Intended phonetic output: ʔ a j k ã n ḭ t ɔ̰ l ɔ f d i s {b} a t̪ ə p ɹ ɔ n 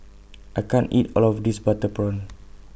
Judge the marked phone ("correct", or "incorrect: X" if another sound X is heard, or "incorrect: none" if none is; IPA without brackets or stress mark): correct